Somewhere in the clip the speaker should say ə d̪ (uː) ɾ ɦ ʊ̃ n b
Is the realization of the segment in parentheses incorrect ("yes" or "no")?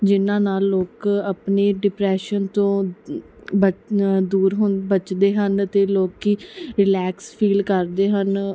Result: no